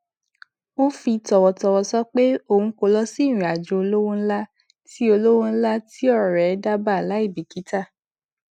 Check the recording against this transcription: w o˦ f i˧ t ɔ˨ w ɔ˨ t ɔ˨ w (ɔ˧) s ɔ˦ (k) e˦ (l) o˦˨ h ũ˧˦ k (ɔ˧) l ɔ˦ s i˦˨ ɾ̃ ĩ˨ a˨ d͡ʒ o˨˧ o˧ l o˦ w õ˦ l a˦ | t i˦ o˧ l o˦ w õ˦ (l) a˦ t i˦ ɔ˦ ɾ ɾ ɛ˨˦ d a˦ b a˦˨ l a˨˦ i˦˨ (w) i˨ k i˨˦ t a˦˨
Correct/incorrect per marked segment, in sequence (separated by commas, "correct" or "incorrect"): correct, incorrect, incorrect, incorrect, correct, incorrect